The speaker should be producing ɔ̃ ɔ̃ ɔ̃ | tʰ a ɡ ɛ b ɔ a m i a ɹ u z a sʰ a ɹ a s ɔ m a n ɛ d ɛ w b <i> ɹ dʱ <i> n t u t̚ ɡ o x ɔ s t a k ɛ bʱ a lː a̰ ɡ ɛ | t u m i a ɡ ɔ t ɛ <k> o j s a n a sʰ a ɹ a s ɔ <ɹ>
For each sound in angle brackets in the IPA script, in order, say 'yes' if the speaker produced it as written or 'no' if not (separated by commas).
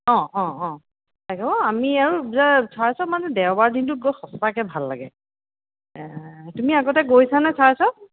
no, yes, no, no